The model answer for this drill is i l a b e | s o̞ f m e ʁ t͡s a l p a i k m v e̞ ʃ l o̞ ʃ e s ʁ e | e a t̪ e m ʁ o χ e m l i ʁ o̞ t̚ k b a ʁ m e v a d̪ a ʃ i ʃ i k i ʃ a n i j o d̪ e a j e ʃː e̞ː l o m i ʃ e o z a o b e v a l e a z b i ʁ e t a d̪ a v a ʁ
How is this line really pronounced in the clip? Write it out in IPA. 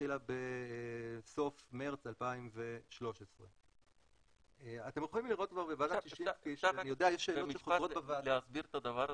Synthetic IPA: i l a b e | s o̞ f m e ʁ t͡s a l p a i m v e̞ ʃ l o̞ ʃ e s ʁ e | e a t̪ e m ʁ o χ i m l i ʁ o̞ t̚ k v a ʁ b e v a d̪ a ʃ i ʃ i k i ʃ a n i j o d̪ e a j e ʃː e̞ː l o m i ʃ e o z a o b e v a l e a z b i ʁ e t a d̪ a v a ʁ